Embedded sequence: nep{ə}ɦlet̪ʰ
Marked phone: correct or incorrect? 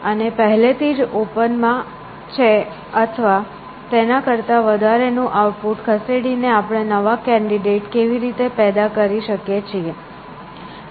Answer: correct